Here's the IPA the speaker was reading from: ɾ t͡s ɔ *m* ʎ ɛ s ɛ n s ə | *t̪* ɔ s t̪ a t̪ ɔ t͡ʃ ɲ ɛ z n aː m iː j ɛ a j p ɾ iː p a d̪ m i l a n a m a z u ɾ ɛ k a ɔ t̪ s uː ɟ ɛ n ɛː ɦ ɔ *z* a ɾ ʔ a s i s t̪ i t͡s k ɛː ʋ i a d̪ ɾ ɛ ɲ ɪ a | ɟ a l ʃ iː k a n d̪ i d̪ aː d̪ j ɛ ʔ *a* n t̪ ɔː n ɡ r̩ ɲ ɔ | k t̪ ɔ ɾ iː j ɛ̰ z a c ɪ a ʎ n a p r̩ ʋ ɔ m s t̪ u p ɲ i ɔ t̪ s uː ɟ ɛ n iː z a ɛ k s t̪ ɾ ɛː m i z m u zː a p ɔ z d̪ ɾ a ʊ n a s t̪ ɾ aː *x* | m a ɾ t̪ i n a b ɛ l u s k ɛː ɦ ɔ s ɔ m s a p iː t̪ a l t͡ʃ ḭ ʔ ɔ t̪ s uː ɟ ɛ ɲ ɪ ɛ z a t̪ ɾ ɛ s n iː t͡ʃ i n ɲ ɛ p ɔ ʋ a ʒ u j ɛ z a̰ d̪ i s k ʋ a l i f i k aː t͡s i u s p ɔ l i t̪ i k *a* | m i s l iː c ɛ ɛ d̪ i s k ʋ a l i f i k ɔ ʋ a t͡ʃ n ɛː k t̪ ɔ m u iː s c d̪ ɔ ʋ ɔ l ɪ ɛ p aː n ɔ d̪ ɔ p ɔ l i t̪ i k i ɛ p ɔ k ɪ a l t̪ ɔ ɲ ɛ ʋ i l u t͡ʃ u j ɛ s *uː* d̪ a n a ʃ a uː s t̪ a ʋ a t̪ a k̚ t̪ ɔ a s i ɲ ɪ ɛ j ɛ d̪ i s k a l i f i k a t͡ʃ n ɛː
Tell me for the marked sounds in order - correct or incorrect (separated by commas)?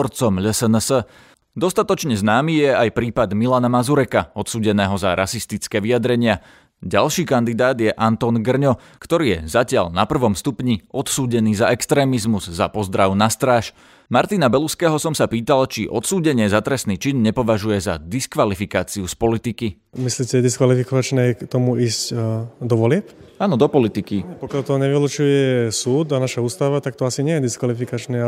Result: correct, incorrect, correct, correct, incorrect, incorrect, correct